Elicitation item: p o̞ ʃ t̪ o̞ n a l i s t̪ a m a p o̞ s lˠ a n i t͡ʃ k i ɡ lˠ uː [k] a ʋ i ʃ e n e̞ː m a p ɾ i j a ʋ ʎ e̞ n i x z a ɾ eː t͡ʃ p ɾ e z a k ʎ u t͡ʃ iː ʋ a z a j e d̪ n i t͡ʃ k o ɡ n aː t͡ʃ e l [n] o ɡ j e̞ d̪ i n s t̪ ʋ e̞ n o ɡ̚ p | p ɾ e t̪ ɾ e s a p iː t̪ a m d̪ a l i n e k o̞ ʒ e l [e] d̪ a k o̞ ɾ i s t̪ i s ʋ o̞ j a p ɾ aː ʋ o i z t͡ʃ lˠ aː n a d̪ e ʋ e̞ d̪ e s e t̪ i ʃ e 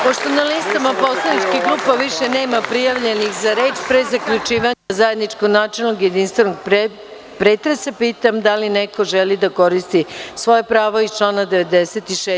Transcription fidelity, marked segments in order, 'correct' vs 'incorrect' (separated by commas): incorrect, correct, incorrect